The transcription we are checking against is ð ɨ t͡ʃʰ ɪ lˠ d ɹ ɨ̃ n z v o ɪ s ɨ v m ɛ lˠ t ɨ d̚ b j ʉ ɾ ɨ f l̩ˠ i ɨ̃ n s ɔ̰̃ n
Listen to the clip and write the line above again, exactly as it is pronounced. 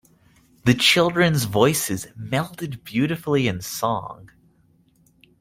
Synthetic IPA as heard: ð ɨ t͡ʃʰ ɪ lˠ d ɹ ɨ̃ n z v ɔ ɪ s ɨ z m ɛ lˠ t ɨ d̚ b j ʉ ɾ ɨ f l̩ˠ i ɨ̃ n s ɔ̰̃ ŋ